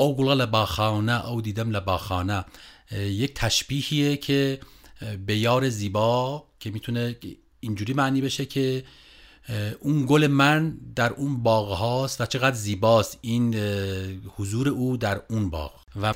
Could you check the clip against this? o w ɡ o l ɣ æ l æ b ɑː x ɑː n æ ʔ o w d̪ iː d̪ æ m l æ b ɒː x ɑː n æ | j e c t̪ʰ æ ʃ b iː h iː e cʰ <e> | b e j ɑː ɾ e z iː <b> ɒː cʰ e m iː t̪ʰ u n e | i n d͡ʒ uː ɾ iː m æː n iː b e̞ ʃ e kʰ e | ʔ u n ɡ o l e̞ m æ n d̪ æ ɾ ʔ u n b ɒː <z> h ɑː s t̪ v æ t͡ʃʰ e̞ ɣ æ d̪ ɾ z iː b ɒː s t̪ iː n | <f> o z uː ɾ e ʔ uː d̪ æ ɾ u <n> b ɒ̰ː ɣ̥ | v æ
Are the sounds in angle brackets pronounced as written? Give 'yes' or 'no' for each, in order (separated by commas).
yes, yes, no, no, yes